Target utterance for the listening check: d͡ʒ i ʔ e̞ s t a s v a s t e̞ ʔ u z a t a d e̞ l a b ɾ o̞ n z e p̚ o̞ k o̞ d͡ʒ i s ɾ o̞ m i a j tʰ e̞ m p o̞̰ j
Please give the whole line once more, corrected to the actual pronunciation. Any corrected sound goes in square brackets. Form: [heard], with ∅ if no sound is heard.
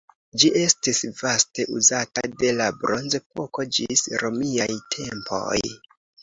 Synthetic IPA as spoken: d͡ʒ i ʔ e̞ s t [i] s v a s t e̞ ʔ u z a t a d e̞ l a b ɾ o̞ n z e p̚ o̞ k o̞ d͡ʒ i s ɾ o̞ m i a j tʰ e̞ m p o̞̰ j